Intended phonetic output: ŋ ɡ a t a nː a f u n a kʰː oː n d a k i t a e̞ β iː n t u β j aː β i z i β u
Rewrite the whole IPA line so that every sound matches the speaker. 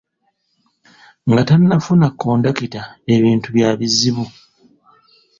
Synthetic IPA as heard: ŋ ɡ a t a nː a f u n a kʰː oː n d a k i t a e̞ β iː n t u β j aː β i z i β u